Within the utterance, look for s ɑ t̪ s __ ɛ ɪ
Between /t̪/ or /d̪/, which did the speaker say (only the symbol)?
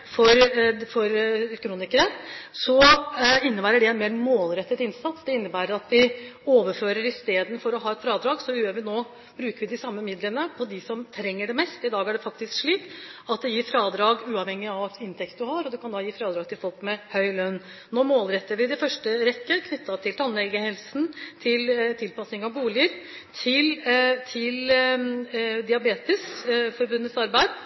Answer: d̪